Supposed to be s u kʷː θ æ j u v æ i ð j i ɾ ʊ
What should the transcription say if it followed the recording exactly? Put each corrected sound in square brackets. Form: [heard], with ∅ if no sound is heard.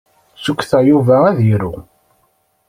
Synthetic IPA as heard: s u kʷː θ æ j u v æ [æ] ð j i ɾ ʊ